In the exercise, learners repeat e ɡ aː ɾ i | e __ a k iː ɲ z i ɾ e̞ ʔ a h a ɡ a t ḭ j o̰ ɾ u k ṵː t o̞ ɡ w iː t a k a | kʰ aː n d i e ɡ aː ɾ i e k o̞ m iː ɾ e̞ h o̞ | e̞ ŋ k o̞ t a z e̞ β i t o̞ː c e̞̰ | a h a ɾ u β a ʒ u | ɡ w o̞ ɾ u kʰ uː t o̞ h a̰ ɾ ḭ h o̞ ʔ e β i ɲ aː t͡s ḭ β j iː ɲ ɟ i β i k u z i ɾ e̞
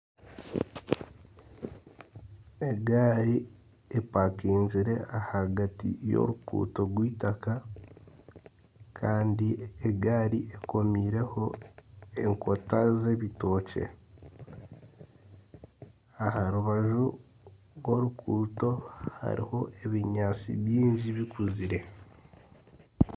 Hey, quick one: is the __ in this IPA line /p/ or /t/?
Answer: p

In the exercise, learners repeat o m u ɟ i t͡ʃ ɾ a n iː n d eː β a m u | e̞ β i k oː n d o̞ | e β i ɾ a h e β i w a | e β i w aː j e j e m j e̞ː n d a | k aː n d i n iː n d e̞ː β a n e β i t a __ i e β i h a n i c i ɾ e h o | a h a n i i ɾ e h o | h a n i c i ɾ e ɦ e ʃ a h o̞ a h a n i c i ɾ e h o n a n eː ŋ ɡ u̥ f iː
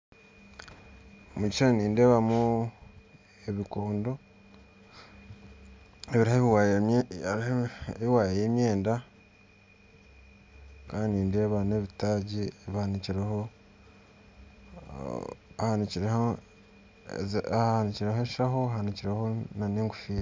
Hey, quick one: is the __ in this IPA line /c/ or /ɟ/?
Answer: ɟ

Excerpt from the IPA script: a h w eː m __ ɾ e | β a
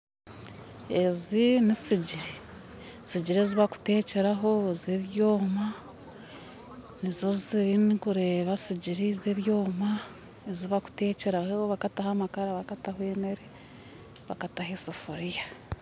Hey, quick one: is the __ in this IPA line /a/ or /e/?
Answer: e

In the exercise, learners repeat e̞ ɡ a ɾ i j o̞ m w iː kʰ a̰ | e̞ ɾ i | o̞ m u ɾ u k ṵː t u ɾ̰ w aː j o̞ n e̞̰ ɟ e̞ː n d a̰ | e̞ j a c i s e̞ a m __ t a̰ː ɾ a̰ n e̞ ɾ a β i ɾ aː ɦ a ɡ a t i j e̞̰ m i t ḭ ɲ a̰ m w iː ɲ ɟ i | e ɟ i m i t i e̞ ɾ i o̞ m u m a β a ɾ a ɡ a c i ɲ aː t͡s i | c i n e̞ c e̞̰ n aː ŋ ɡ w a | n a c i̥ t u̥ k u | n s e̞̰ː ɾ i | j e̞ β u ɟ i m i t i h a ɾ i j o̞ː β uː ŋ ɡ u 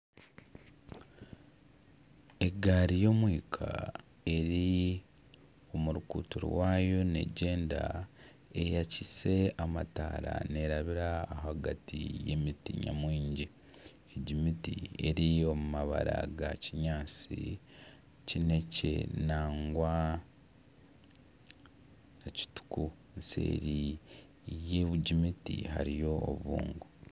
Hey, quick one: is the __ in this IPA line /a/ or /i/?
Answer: a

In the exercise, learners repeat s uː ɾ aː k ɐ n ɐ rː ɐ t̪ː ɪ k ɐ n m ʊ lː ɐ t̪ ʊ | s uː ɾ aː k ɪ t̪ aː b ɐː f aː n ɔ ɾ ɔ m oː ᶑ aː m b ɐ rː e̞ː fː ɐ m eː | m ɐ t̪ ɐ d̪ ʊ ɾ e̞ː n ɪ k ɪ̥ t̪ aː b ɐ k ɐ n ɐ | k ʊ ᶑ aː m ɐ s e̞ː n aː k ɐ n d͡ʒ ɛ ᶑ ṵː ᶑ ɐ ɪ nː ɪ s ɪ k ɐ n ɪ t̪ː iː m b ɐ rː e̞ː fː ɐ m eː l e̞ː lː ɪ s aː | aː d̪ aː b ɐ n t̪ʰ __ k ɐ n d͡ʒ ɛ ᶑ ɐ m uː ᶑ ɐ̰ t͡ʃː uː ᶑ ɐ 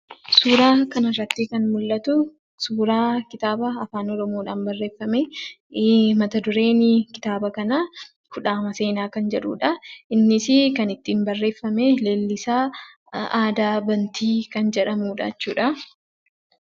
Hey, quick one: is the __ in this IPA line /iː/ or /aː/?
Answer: iː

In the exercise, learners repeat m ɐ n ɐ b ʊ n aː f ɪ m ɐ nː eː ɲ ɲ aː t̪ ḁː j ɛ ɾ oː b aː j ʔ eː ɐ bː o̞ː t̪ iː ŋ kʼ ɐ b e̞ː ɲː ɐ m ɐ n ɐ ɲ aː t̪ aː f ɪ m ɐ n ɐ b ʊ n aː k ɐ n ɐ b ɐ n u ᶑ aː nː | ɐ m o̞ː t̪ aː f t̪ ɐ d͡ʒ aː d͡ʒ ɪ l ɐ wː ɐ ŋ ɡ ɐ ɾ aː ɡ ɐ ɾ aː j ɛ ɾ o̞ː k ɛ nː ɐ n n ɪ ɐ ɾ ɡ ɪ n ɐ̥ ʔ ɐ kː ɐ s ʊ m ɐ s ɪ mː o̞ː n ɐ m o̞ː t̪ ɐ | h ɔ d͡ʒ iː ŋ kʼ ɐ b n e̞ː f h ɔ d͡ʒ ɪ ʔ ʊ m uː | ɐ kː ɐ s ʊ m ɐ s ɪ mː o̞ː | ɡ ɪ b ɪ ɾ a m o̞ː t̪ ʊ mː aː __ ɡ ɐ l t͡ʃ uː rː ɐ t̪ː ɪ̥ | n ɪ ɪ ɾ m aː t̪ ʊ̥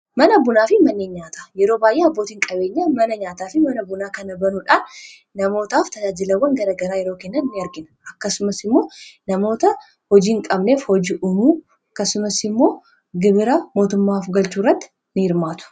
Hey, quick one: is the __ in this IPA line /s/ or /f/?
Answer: f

